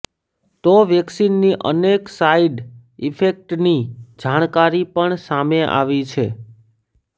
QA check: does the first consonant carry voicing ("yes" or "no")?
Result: no